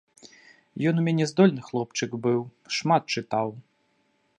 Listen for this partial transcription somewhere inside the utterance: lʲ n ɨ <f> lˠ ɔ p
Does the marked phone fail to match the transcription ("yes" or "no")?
yes